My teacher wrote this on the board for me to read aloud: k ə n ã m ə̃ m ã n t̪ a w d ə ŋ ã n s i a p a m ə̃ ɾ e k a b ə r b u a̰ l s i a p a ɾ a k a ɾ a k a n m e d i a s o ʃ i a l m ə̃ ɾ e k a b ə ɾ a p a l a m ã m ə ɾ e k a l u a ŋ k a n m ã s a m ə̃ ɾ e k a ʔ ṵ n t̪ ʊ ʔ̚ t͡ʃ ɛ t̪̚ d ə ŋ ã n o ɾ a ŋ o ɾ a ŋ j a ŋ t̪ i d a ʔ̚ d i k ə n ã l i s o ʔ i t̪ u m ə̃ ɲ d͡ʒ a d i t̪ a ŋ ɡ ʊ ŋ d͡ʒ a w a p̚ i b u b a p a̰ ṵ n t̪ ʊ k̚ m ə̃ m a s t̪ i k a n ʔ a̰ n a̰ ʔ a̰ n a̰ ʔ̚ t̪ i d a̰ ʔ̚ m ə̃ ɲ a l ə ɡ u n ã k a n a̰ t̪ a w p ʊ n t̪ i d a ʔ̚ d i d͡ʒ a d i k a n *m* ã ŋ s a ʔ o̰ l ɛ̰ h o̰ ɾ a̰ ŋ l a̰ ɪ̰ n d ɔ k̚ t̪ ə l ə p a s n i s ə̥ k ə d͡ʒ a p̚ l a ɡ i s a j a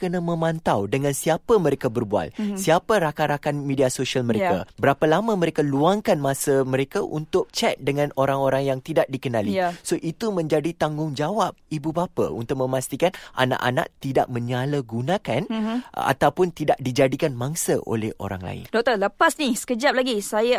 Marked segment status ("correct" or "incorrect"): correct